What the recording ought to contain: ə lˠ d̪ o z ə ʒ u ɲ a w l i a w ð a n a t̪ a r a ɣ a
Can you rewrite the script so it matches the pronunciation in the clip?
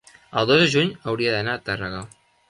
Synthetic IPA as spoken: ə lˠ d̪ o z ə ʒ u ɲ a w ɾ i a ð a n a t̪ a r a ɣ a

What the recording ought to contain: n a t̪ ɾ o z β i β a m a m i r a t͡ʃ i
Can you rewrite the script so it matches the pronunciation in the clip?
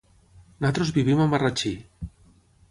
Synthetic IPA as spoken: n a t̪ ɾ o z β i β i m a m a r a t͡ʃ i

